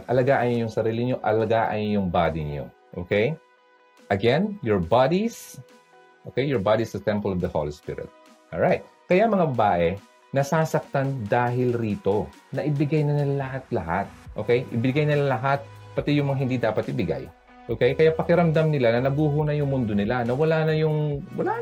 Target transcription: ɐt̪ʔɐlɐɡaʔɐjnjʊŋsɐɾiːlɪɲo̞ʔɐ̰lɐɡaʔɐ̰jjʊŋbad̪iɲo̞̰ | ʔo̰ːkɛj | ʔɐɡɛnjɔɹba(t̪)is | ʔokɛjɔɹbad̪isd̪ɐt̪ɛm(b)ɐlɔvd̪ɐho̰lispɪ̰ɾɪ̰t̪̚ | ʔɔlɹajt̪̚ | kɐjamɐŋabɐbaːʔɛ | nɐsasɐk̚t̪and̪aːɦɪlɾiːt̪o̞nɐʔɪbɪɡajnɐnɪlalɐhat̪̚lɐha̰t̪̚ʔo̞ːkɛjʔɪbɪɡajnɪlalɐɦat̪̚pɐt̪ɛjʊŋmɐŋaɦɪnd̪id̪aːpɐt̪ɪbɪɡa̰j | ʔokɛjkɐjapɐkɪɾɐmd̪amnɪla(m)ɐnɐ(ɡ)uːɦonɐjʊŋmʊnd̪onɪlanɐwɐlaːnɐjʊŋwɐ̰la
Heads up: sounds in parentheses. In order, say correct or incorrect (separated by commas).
incorrect, incorrect, incorrect, correct